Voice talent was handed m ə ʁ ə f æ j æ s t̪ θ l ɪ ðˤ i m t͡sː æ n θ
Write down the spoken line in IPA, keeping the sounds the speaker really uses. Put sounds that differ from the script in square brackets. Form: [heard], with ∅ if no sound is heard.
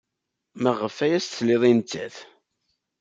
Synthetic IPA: m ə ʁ ə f æ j æ s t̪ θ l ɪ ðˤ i [n] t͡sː æ [∅] θ